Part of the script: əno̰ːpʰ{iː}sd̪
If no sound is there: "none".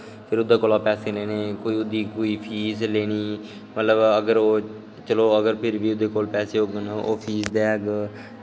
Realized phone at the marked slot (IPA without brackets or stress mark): iː